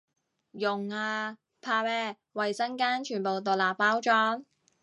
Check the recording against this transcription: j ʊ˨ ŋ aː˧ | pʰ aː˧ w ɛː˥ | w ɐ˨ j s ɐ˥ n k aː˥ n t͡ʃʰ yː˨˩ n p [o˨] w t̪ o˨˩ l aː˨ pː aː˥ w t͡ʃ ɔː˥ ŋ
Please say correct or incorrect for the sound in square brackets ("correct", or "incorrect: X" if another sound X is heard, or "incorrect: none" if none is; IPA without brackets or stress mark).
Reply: correct